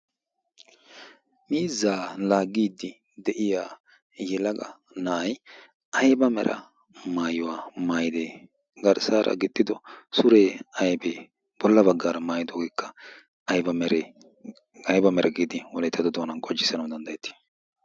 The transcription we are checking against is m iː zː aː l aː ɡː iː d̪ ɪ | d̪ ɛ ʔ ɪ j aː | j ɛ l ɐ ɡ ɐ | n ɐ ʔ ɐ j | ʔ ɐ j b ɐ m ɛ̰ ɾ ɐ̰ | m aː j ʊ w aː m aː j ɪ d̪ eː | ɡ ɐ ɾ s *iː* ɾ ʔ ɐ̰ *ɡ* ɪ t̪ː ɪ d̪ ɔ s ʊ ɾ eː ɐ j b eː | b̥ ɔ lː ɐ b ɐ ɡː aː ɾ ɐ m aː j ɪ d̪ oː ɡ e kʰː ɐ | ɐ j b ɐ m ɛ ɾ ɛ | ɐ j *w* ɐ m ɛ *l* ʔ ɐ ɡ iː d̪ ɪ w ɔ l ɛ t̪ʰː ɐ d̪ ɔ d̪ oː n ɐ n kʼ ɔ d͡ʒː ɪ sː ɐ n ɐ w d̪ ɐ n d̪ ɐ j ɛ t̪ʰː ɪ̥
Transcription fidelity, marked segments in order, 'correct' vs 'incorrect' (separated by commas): incorrect, correct, incorrect, incorrect